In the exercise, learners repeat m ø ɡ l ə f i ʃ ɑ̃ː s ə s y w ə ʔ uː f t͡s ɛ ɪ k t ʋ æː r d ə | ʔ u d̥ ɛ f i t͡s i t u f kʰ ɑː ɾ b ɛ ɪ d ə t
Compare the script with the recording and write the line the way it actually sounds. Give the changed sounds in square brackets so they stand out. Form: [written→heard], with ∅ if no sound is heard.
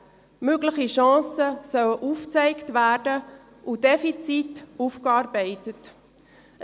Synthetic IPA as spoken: m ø ɡ l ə [f→χ] i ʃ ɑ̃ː s ə s [y→œ] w ə ʔ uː f t͡s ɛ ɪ k t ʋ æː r d ə | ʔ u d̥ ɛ f i t͡s i t u f [kʰ→k] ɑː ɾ b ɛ ɪ [d→t] ə t

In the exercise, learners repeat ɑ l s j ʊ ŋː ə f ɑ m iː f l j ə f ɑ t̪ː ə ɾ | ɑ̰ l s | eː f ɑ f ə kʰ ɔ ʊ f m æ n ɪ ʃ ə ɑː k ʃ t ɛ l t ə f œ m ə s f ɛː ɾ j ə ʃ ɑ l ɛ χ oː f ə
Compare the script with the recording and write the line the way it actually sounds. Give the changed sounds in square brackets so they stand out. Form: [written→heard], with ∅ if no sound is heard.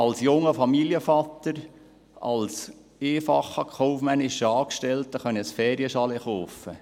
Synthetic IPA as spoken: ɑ l s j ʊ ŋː ə f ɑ m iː [f→∅] l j ə f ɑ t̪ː ə ɾ | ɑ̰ l s | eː f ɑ [f→χ] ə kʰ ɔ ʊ f m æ n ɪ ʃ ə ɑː k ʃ t ɛ l t ə [f→χ] œ [m→n] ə s f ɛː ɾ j ə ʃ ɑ l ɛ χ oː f ə

